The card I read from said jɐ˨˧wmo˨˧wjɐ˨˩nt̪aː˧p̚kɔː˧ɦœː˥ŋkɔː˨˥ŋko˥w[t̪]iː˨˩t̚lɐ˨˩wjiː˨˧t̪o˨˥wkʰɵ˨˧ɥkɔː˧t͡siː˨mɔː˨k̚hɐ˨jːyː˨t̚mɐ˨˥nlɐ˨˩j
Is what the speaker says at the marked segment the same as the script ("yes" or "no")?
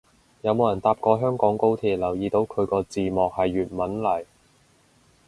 no